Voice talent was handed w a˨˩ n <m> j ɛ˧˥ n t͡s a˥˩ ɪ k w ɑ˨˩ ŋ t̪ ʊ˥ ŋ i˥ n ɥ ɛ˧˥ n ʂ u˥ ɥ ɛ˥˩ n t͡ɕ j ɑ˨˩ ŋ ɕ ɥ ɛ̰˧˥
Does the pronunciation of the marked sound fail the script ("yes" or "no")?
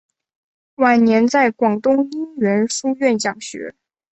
yes